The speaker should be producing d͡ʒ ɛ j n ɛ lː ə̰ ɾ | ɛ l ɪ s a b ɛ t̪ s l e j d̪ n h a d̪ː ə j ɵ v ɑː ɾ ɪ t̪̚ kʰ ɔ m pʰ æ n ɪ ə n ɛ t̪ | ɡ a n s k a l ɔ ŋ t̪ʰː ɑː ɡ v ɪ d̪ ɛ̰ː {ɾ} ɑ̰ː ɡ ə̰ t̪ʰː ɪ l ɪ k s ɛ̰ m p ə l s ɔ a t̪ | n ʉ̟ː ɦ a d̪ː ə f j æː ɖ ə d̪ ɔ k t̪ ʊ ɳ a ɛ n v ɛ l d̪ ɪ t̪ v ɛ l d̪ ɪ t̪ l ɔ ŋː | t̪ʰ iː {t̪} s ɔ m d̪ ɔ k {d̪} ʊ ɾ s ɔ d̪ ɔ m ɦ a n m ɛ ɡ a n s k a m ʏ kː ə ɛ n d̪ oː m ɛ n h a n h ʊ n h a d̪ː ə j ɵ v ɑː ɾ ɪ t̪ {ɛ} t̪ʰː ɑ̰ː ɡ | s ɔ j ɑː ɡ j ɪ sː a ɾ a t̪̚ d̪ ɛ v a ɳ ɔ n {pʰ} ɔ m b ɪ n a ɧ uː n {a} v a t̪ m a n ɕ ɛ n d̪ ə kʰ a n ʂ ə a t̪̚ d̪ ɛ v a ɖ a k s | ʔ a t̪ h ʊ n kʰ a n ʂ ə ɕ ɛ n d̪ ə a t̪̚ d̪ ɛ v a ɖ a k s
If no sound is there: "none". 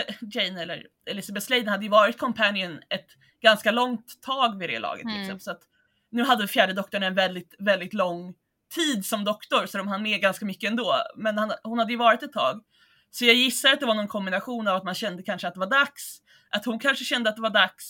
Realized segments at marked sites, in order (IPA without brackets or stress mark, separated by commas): l, d̪, t̪, ɛ, kʰ, a